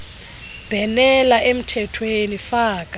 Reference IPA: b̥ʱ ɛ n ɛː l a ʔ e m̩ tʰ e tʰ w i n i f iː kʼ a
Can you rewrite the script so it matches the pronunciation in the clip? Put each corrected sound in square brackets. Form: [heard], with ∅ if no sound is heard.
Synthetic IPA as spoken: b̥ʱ ɛ n [ɛ] l a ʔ e m̩ tʰ [ɛ] tʰ w [e] n i f [aː] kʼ a